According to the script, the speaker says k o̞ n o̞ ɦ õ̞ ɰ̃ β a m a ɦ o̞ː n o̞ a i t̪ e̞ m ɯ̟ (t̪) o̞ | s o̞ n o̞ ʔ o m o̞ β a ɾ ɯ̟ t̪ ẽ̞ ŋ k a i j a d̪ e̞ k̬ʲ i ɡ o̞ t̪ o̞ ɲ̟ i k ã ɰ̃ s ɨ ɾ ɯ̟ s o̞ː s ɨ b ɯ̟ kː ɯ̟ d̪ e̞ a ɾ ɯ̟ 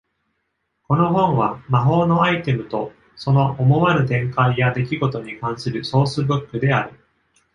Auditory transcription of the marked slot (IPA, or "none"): t̪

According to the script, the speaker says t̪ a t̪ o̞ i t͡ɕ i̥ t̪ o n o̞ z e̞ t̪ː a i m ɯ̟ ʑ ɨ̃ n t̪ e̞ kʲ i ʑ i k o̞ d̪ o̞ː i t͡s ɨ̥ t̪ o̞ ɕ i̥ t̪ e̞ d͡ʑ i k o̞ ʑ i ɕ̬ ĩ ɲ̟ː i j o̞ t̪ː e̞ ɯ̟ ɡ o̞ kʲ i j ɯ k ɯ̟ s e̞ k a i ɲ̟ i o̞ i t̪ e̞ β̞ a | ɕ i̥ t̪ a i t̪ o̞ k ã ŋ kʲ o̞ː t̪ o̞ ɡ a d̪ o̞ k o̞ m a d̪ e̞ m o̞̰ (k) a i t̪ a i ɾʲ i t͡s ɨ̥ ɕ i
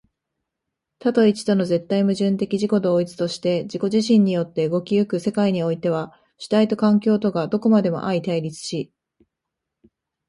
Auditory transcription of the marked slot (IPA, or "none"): ʔ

